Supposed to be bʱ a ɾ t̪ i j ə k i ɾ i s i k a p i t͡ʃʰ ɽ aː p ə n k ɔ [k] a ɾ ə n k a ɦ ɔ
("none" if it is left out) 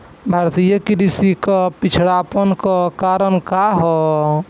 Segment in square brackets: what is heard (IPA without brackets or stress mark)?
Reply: k